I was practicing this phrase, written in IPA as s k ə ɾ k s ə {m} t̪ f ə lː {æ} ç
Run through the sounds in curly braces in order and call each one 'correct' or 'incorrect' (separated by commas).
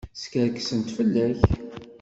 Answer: incorrect, correct